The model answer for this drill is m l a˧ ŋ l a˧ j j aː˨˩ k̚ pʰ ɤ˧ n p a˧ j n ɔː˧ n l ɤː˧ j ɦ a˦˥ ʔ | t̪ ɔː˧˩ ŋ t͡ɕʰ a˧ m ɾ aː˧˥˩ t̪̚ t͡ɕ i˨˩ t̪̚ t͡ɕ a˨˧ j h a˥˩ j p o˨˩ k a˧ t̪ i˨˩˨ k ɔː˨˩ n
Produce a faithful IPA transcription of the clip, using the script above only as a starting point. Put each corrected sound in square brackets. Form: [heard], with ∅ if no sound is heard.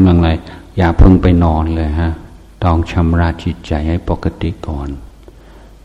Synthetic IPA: m l a˧ ŋ l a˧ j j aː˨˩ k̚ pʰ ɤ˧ [ŋ] p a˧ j n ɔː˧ n l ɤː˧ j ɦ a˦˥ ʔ | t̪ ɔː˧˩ ŋ t͡ɕʰ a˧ m ɾ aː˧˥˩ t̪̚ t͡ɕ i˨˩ t̪̚ t͡ɕ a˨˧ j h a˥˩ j p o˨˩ k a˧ t̪ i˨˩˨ k ɔː˨˩ n